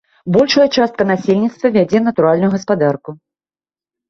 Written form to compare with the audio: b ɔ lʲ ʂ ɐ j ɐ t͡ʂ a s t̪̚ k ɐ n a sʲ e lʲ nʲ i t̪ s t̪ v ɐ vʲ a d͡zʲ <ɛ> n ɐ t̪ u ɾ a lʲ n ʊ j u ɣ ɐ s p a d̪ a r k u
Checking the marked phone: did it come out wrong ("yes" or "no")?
no